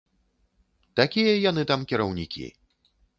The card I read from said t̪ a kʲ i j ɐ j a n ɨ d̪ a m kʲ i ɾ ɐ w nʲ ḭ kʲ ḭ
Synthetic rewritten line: t̪ a kʲ i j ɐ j a n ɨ t̪ a m kʲ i ɾ ɐ w nʲ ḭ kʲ ḭ